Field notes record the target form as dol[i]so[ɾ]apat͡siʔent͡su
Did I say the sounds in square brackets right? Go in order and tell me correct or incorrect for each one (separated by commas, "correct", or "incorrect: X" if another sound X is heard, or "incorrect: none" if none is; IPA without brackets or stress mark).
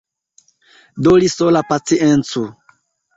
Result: correct, incorrect: l